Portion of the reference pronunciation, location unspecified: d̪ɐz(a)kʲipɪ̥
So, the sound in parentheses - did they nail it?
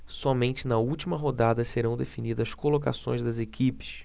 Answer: no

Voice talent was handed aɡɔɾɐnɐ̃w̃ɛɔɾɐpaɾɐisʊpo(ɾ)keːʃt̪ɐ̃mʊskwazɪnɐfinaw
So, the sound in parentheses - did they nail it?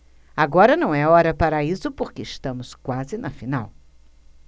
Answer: yes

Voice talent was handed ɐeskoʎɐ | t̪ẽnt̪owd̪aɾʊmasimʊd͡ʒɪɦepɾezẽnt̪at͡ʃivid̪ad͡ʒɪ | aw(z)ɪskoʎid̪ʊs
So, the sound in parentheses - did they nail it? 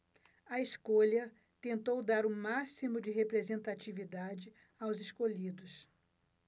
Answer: yes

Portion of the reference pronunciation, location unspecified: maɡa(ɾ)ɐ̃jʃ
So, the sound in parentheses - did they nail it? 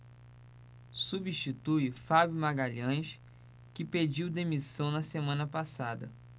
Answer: no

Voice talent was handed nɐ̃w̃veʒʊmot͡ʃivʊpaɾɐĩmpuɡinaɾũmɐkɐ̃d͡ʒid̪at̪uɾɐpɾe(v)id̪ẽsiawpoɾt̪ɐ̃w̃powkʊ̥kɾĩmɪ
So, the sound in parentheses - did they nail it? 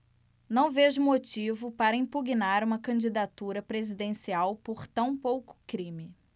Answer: no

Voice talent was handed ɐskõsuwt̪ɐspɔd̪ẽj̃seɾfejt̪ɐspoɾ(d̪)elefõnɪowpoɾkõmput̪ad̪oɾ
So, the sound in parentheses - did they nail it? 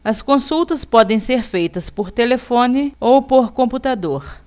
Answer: no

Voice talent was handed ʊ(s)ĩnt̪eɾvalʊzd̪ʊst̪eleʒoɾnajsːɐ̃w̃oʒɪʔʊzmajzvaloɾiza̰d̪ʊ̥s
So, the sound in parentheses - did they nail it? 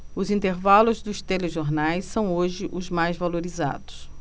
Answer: no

